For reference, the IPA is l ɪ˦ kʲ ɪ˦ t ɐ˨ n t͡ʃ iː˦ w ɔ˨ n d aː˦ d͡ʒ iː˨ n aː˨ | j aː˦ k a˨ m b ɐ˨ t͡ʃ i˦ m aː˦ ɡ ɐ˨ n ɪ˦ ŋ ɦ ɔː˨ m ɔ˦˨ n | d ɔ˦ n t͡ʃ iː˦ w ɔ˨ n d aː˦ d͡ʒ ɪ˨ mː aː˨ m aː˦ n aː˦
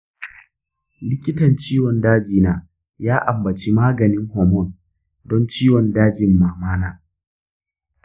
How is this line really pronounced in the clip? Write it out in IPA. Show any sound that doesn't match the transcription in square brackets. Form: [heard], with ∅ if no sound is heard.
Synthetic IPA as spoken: l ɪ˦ kʲ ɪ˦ t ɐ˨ n t͡ʃ iː˦ w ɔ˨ n d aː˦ d͡ʒ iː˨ n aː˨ | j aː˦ [ʔ] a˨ m b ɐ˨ t͡ʃ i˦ m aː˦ ɡ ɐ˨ n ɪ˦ ŋ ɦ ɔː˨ m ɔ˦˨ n | d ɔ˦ n t͡ʃ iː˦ w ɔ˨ n d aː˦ d͡ʒ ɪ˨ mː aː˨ m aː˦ n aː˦